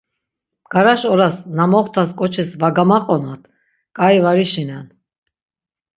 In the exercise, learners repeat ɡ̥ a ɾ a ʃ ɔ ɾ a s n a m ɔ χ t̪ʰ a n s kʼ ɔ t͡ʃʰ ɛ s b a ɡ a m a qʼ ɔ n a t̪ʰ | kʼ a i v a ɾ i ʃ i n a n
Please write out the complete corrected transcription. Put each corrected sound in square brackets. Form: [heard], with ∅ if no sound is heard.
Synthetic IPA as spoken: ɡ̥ a ɾ a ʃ ɔ ɾ a s n a m ɔ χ t̪ʰ a [∅] s kʼ ɔ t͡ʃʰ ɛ s [v] a ɡ a m a qʼ ɔ n a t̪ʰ | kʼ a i v a ɾ i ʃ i n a n